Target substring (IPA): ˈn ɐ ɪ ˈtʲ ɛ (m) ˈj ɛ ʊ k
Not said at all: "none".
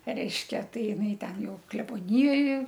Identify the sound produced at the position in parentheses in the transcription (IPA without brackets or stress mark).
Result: n